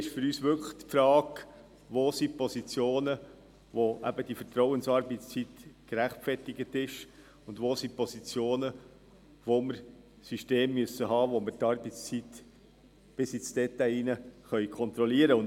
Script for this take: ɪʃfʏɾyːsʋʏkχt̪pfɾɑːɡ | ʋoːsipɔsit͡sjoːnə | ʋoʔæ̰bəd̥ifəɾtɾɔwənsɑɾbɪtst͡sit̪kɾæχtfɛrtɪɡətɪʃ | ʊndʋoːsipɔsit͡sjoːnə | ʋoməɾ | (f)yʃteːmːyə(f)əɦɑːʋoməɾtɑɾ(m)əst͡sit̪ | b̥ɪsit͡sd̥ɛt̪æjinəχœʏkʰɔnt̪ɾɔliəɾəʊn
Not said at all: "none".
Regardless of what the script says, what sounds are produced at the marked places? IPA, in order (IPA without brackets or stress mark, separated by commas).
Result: s, s, b